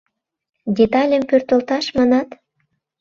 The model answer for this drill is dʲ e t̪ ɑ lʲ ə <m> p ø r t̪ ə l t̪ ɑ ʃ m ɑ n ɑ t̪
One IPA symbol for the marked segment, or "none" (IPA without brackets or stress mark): m